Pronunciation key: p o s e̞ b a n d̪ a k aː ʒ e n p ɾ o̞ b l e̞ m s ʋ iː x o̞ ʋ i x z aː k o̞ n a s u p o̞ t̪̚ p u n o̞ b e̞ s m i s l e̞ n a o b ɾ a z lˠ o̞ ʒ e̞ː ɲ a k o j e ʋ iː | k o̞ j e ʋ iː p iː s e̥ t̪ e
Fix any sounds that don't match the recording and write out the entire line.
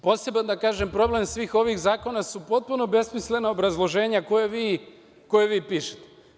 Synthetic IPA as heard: p o s e̞ b a n d̪ a k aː ʒ e m p ɾ o̞ b l e̞ m s ʋ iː x o̞ ʋ i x z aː k o̞ n a s u p o̞ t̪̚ p u n o̞ b e̞ s m i s l e̞ n a o b ɾ a z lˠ o̞ ʒ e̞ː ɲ a k o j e ʋ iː | k o̞ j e ʋ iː p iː ʃ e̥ t̪ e